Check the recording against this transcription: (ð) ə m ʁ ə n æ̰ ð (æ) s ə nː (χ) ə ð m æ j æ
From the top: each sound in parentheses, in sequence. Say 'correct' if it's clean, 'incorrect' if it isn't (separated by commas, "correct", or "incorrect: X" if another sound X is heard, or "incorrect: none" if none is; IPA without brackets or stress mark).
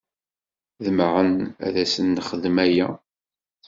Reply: correct, correct, correct